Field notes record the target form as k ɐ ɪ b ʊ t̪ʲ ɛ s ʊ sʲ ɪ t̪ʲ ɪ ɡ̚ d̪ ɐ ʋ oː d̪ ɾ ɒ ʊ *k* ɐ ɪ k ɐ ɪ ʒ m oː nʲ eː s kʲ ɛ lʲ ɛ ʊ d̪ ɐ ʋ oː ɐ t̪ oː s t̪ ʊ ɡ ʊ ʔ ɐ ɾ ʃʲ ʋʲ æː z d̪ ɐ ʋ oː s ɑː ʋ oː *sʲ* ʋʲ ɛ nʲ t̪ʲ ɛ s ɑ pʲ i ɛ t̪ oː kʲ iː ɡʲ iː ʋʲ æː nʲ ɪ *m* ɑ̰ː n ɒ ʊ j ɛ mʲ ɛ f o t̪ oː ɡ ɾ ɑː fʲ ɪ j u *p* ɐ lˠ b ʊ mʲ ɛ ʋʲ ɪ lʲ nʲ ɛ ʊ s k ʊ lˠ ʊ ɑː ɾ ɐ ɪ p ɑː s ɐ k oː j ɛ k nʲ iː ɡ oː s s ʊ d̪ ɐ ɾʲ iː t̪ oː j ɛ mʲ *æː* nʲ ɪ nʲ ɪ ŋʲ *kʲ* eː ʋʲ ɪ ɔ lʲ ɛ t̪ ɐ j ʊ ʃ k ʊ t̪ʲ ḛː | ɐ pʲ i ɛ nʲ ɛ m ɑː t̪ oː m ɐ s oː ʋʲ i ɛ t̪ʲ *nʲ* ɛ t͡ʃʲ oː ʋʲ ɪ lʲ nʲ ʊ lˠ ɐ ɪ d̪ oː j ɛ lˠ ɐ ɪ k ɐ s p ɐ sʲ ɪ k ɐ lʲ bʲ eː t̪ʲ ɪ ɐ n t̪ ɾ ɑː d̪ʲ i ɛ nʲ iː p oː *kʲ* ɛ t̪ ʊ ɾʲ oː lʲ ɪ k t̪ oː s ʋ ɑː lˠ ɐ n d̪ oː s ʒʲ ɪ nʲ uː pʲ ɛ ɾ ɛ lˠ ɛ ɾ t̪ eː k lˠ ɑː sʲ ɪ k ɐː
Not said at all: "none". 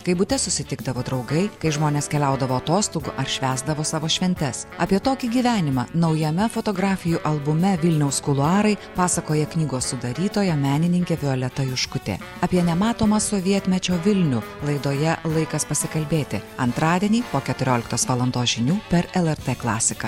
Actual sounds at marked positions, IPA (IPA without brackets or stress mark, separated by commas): ɡ, ʃʲ, m, ʔ, æː, kʲ, mʲ, kʲ